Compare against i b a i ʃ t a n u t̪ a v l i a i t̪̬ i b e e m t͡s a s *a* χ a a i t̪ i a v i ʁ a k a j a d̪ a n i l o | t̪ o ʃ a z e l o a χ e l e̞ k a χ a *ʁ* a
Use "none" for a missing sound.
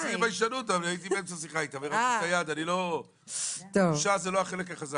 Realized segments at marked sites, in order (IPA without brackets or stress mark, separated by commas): i, z